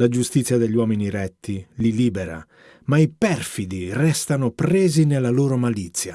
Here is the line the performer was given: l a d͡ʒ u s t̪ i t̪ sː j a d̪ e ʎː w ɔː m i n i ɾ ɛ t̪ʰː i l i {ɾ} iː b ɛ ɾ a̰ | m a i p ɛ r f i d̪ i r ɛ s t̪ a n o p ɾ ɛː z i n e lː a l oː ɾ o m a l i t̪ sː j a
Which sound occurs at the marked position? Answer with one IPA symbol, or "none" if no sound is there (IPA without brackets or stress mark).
l